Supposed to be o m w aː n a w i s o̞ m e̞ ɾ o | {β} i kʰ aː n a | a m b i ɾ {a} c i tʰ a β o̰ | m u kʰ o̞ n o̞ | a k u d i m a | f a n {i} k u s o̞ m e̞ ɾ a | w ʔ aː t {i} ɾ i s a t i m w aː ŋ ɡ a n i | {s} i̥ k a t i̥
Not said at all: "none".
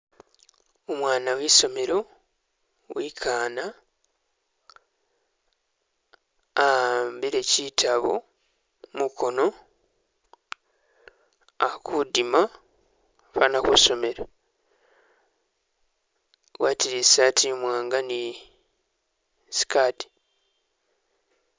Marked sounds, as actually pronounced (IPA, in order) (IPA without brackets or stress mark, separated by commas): w, e, a, i, s